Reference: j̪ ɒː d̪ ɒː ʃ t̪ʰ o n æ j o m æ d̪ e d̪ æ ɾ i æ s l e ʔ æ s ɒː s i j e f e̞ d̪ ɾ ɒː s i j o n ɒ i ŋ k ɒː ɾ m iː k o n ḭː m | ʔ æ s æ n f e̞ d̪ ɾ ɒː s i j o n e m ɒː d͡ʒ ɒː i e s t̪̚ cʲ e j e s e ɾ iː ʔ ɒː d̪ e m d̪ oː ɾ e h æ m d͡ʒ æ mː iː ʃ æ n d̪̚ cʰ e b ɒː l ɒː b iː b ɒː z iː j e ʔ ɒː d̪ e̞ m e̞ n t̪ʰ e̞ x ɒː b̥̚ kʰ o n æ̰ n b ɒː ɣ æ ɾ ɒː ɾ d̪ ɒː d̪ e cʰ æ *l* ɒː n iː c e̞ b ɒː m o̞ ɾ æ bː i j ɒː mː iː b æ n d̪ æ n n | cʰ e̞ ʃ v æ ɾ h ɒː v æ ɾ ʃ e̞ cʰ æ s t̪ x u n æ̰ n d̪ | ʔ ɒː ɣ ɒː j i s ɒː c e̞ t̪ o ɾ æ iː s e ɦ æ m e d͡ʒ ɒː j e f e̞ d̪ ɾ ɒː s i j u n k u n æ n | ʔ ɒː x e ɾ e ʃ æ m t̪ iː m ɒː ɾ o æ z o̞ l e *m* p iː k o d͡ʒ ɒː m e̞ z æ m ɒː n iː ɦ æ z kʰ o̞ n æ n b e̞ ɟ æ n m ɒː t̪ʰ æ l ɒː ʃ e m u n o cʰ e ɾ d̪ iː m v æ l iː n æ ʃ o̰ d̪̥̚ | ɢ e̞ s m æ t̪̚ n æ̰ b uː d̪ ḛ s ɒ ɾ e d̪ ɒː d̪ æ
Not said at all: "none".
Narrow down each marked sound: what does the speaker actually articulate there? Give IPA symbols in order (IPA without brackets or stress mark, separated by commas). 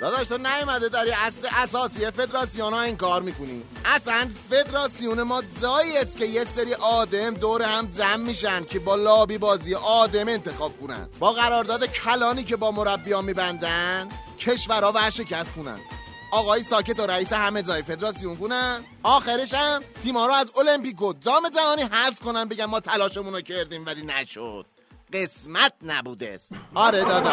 l, m